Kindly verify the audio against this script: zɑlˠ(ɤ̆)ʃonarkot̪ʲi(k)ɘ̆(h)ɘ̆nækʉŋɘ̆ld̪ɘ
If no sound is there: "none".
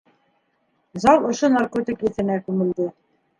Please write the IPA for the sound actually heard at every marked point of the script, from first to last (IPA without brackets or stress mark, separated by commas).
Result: ŏ, k, θ